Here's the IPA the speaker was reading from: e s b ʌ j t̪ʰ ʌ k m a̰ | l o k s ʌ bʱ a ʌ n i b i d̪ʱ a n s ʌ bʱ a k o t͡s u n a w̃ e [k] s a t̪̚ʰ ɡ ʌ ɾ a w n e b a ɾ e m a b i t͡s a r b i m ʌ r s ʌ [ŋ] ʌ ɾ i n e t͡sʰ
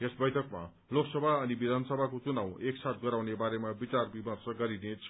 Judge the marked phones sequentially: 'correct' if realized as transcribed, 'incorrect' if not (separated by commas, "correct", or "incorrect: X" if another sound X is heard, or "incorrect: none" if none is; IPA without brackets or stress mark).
correct, incorrect: ɡ